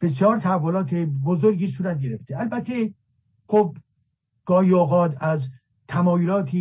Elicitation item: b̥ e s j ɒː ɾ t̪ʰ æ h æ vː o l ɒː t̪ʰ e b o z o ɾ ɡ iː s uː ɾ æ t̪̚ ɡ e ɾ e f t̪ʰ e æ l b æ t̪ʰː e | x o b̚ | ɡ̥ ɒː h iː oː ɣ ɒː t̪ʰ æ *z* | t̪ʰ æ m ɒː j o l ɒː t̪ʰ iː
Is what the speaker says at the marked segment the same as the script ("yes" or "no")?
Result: yes